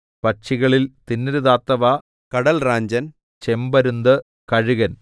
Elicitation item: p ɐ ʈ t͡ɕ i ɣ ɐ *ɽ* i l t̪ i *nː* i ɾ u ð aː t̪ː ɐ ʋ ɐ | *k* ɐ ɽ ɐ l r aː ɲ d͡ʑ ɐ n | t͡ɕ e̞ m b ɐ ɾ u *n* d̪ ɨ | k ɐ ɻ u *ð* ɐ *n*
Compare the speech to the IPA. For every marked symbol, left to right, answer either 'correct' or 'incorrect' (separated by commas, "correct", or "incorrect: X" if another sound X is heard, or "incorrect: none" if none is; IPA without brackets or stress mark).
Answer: incorrect: ɭ, correct, correct, correct, incorrect: ɣ, correct